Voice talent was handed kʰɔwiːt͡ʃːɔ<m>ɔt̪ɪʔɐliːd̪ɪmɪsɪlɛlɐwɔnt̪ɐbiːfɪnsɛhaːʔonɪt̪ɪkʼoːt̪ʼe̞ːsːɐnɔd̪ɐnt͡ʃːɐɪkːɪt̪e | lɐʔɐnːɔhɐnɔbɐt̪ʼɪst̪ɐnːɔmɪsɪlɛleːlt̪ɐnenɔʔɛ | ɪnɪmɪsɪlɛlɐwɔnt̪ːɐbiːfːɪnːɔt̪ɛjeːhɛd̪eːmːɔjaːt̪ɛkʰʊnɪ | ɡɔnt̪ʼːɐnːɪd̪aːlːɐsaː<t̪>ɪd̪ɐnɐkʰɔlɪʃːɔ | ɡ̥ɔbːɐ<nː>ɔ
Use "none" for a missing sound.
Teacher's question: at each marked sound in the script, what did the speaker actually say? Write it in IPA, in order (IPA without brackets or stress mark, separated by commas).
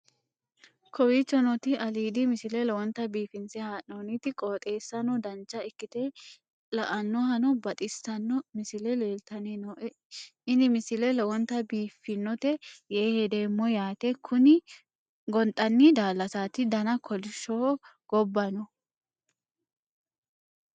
n, t̪, n